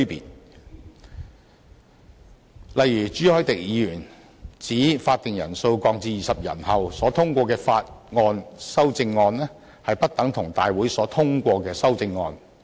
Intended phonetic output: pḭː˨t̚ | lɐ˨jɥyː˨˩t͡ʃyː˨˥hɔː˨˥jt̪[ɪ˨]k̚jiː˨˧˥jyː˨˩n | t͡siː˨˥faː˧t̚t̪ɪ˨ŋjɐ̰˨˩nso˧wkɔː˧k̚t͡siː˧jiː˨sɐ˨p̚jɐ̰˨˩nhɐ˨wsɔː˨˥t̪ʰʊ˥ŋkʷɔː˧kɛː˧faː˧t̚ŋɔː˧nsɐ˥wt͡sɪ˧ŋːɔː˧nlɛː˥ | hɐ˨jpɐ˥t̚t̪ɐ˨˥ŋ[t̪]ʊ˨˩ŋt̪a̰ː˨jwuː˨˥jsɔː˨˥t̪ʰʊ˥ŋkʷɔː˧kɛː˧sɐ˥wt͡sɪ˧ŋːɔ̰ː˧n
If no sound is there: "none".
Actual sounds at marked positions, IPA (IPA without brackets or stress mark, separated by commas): ɪ˨, t̪ʰ